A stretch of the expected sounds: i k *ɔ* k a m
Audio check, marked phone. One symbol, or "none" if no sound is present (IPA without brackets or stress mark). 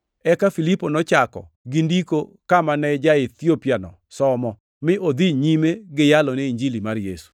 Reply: o